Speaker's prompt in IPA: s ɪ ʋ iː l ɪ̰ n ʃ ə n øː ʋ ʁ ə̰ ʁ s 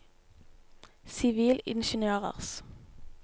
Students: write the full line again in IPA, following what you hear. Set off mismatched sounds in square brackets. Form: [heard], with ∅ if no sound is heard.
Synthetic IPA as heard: s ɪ ʋ iː l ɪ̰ n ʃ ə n øː [∅] ʁ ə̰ ʁ s